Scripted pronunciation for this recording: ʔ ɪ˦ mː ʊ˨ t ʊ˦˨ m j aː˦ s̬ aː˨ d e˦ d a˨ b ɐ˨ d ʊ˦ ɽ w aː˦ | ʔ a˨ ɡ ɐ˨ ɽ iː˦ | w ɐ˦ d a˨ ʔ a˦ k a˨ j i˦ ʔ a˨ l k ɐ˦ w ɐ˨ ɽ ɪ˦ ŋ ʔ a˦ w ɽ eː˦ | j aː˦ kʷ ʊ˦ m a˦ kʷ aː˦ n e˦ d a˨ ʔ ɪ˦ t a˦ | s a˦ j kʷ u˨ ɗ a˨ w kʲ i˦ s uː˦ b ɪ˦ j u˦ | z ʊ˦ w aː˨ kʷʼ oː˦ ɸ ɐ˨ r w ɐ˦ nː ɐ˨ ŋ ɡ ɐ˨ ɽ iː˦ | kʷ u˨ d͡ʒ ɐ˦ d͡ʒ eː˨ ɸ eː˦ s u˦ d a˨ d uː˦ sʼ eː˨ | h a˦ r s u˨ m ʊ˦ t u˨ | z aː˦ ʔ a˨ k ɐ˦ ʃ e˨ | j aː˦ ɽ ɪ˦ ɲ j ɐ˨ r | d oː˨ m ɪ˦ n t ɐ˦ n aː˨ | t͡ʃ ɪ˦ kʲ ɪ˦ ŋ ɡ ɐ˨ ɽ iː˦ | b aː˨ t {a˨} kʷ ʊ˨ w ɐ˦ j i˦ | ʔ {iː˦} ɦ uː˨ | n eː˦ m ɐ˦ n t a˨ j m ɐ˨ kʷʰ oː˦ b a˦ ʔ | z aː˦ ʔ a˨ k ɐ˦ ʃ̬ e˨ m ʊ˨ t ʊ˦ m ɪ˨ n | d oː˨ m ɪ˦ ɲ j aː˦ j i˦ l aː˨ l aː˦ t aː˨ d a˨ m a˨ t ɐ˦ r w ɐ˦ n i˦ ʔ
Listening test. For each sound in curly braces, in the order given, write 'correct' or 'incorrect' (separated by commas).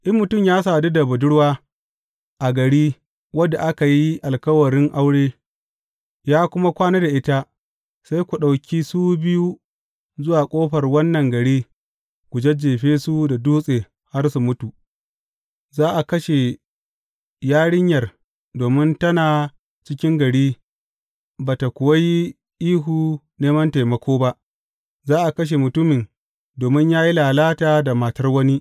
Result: correct, correct